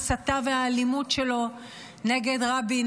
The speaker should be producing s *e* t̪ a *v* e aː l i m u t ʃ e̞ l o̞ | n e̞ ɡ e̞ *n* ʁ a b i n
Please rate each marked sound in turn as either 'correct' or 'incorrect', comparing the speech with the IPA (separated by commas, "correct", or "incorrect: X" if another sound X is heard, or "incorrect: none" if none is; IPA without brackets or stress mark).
incorrect: a, correct, incorrect: d